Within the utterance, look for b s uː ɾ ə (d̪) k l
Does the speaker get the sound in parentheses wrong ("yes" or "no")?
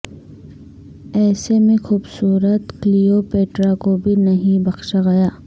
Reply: yes